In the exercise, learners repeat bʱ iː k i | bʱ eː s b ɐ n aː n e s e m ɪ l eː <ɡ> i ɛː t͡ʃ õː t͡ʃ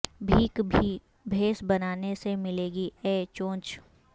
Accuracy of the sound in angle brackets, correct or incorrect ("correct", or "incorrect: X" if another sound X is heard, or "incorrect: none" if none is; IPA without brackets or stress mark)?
correct